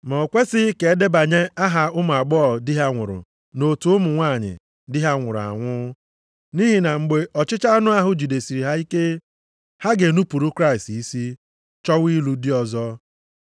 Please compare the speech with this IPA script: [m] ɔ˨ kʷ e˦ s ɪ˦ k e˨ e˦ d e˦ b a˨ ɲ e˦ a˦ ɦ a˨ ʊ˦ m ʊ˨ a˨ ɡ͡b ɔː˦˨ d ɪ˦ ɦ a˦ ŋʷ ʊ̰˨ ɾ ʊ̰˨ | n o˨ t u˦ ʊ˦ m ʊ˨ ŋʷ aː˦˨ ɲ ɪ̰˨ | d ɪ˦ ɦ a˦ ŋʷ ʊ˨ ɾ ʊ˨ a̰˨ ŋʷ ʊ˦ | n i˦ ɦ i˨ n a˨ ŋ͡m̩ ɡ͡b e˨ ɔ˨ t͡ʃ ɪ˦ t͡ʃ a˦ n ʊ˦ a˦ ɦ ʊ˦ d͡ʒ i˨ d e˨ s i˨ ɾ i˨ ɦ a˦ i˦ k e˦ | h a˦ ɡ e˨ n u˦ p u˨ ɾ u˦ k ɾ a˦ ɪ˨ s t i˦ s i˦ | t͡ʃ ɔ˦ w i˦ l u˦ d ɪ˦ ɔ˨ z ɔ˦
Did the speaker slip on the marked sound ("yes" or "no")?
no